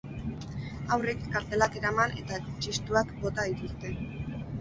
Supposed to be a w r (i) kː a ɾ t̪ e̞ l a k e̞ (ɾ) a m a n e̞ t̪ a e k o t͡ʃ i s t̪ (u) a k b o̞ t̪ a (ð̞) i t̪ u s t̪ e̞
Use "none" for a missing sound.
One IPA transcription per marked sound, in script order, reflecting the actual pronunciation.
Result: e, ɾ, u, ð̞

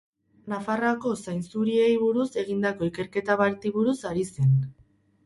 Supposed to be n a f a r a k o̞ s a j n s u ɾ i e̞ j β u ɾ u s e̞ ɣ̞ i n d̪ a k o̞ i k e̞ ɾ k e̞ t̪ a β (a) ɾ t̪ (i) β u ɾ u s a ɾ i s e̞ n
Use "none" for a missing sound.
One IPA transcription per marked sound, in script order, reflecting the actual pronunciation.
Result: a, i

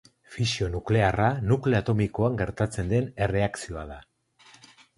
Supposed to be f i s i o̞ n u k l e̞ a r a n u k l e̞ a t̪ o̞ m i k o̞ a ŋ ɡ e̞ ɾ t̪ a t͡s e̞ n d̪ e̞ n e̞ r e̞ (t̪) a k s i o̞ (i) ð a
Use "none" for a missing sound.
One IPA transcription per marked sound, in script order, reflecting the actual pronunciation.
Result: none, a

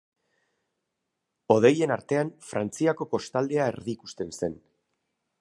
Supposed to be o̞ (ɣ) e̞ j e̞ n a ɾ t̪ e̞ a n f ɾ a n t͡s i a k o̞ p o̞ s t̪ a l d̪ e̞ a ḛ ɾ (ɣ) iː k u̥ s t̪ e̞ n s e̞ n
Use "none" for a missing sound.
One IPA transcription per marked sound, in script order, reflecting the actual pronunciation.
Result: ð, ð

